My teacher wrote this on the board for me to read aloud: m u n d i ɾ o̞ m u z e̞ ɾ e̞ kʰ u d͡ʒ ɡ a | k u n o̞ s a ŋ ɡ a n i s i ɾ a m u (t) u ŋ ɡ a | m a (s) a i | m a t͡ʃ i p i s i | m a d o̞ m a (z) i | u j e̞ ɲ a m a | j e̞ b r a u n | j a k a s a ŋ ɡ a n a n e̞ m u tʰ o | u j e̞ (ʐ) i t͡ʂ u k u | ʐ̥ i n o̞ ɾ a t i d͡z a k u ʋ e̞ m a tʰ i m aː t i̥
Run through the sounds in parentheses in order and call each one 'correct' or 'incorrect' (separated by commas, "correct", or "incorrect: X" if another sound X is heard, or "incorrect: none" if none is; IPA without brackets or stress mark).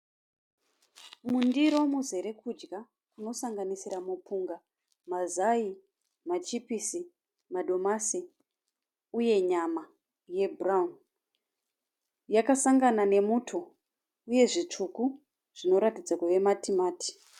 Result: incorrect: p, incorrect: z, incorrect: s, correct